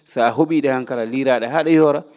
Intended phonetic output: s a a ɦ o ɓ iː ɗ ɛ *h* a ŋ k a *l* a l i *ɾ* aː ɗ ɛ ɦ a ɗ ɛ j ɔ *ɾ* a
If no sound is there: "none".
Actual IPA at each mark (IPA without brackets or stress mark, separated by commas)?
h, l, ɾ, ɾ